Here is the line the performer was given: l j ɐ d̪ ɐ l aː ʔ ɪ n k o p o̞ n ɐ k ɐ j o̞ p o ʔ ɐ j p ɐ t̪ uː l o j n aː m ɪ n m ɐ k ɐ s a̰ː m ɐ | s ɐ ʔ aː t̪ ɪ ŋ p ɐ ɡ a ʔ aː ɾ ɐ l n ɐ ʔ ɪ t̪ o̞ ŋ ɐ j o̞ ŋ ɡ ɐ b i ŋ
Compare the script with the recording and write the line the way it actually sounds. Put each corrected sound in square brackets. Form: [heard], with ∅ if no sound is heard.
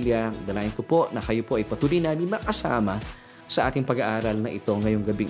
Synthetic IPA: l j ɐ d̪ ɐ l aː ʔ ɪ n k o p o̞ n ɐ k ɐ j o̞ p o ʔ ɐ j p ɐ t̪ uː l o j n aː m ɪ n m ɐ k ɐ s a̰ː m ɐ | s ɐ ʔ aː t̪ ɪ ŋ p ɐ ɡ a ʔ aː ɾ ɐ l n ɐ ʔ ɪ t̪ o̞ ŋ ɐ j o̞ ŋ ɡ ɐ b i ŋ